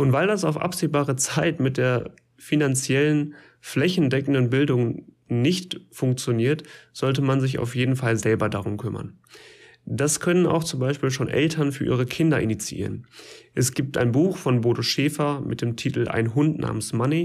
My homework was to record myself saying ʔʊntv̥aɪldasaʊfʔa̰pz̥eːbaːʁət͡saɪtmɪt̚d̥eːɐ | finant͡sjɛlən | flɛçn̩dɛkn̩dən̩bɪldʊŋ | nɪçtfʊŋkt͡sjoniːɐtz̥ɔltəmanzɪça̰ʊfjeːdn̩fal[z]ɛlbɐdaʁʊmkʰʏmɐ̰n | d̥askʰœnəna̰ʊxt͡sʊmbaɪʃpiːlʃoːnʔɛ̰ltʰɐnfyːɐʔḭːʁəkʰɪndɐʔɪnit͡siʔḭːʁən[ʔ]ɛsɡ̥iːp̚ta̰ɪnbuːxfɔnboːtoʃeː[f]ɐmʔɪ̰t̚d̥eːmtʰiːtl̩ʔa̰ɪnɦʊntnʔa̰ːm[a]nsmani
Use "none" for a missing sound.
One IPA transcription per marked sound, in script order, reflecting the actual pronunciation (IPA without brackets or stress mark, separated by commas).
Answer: z, ʔ, f, ə